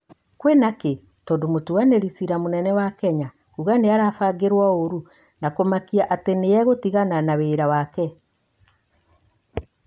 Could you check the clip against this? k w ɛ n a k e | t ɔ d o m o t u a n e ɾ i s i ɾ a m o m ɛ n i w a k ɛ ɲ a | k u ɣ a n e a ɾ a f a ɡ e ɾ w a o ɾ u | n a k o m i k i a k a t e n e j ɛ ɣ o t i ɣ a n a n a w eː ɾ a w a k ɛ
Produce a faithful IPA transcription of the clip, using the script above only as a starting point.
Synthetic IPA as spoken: k w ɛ n a k e | t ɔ d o m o t u a n e ɾ i s i ɾ a m o n ɛ n ɛ w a k ɛ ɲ a | k u ɣ a n e a ɾ a f a ɡ e ɾ w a o ɾ u | n a k o m a k i a ʔ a t e n e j ɛ ɣ o t i ɣ a n a n a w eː ɾ a w a k ɛ

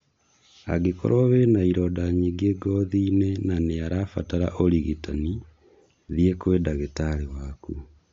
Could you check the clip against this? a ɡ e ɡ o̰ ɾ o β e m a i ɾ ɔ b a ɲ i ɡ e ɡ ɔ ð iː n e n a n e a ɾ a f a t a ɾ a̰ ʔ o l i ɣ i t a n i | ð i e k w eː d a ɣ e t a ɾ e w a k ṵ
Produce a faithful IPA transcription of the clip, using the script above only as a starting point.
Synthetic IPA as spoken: a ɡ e k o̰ ɾ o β e n a i ɾ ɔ d a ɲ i ɡ e ɡ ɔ ð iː n e n a n e a ɾ a f a t a ɾ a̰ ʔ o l i ɣ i t a n i | ð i e k w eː d a ɣ e t a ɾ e w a k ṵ

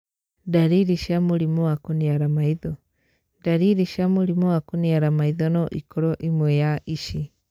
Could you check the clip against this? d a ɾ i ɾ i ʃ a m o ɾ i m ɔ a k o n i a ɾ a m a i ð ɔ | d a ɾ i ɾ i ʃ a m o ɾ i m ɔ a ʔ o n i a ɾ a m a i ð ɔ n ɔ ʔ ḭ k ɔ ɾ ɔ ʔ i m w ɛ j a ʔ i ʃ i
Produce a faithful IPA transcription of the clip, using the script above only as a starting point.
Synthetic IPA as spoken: d a ɾ i ɾ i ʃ a m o ɾ i m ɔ a k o n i a ɾ a m a i ð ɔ | d a ɾ i ɾ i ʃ a m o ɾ i m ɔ a k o n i a ɾ a m a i ð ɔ n ɔ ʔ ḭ k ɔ ɾ ɔ ʔ i m w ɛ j a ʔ i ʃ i

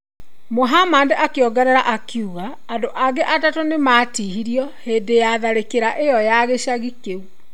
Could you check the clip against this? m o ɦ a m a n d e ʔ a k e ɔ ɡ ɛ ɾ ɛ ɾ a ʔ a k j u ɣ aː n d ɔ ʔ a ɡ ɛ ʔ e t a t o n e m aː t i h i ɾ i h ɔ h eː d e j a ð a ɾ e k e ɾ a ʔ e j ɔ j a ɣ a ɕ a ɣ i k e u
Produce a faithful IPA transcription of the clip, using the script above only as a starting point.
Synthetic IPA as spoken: m o ɦ a m a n d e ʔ a k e ɔ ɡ ɛ ɾ ɛ ɾ a ʔ a k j u ɣ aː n d o ʔ a ɡ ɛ ʔ a t a t o n e m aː t i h i ɾ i ɔ h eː d e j a ð a ɾ e k e ɾ a ʔ e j ɔ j a ɣ e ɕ a ɣ i k e u

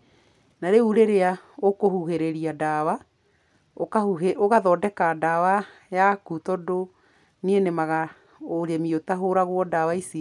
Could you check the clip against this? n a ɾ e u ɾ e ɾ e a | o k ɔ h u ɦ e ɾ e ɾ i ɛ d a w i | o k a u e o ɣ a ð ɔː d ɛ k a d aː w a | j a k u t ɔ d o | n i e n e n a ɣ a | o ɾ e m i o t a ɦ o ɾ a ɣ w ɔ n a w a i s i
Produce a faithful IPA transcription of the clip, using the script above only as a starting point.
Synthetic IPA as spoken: n a ɾ e u ɾ e ɾ e a | o k o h u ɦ e ɾ e ɾ i a d a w a | o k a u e o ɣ a ð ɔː d ɛ k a d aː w a | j a k u t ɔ d o | n i e n e m a ɣ a | o ɾ e m i o t a ɦ o ɾ a ɣ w ɔ d a w a i s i

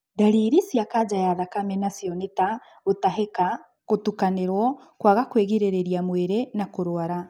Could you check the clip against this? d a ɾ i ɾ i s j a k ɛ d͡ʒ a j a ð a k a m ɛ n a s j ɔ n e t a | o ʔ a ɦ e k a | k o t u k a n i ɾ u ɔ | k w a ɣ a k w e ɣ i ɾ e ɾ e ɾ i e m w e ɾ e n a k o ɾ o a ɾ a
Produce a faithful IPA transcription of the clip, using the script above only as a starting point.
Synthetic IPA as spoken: d a ɾ i ɾ i s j a k a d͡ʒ a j a ð a k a m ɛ n a s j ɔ n e t a | o t a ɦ e k a | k o t u k a n e ɾ w ɔ | k w a ɣ a k w e ɣ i ɾ e ɾ e ɾ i a m w e ɾ e n a k o ɾ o a ɾ a

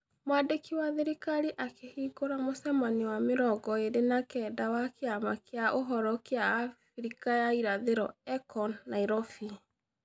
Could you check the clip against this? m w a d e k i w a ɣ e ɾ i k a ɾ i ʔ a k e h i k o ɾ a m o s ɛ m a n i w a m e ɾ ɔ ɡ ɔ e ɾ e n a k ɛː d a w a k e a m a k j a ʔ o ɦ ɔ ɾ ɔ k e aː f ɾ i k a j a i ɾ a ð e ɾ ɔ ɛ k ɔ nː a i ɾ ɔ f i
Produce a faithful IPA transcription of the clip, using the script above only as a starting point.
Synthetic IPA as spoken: m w a d e k i w a ð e ɾ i k a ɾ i ʔ a k e h i ɡ o ɾ a m o s ɛ m a n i w a m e ɾ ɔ ɡ ɔ e ɾ e n a k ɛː d a w a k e a m a k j a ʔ o ɦ ɔ ɾ ɔ k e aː f ɾ i k a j a i ɾ a ð e ɾ ɔ ɛ k ɔ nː a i ɾ ɔ f i

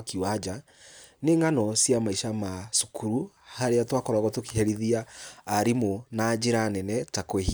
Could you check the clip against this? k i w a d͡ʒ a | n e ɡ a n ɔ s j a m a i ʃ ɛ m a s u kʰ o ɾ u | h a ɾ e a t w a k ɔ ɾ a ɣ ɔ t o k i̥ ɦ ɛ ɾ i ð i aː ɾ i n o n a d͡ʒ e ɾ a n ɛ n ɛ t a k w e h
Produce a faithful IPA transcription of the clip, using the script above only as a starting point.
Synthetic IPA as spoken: k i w a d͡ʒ a | n e ŋ a n ɔ s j a m a i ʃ a m a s u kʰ u ɾ u | h a ɾ e a t w a k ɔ ɾ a ɣ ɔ t o k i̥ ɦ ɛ ɾ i ð i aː ɾ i m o n a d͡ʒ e ɾ a n ɛ n ɛ t a k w e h

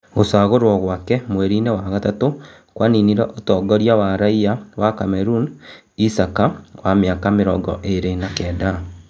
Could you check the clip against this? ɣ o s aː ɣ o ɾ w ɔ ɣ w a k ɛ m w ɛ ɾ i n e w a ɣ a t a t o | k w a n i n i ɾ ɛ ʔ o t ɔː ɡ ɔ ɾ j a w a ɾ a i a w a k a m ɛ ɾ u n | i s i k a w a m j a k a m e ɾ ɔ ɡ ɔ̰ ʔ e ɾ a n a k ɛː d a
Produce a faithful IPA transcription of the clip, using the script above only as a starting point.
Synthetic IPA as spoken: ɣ o s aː ɣ o ɾ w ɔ ɣ w a k ɛ m w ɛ ɾ i n e w a ɣ a t a t o | k w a n i n i ɾ ɛ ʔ o t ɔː ɡ ɔ ɾ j a w a ɾ a i a w a k a m ɛ ɾ u n | i s a k a w a m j a k a m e ɾ ɔ ɡ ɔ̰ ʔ e ɾ e n a k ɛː d a

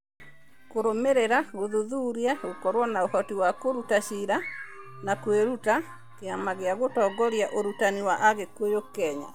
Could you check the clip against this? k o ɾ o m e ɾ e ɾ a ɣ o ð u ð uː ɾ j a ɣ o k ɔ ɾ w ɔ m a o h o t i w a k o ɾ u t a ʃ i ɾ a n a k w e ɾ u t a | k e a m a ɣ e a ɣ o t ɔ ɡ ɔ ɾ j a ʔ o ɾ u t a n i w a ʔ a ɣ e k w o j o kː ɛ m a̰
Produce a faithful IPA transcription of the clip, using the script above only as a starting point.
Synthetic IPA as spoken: k o ɾ o m e ɾ e ɾ a ɣ o ð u ð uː ɾ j a ɣ o k ɔ ɾ w ɔ n a o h ɔ t i w a k o ɾ u t a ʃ i ɾ a n a k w e ɾ u t a | k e a m a ɣ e a ɣ o t ɔ ɡ ɔ ɾ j a ʔ o ɾ u t a n i w a ʔ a ɣ e k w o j o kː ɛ ɲ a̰

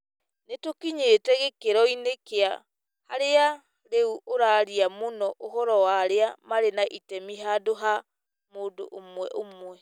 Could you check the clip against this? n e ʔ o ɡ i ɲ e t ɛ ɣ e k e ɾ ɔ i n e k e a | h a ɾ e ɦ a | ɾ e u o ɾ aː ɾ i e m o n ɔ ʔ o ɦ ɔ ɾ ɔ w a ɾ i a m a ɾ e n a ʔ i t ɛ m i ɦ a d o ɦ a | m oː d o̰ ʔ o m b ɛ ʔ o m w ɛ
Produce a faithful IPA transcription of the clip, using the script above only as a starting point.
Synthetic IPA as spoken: n e t o k i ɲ e t ɛ ɣ e k e ɾ ɔ i n e k e a | h a ɾ e a | ɾ e u o ɾ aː ɾ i a m o n ɔ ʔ o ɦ ɔ ɾ ɔ w a ɾ e a m a ɾ e n a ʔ i t ɛ m i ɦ a d o ɦ a | m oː d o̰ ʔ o m w ɛ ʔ o m w ɛ

